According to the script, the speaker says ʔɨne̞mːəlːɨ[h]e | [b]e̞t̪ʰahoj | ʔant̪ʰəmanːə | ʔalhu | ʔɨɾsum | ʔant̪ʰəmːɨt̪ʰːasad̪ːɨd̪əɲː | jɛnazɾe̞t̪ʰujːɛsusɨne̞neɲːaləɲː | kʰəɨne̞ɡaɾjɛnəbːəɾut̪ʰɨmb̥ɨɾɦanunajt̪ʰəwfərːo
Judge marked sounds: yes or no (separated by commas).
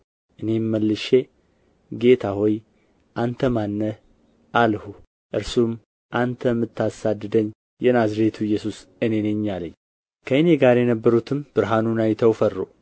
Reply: no, no